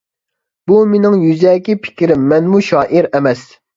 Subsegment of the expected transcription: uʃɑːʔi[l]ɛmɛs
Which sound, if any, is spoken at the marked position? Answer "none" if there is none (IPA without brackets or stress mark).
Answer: ɾ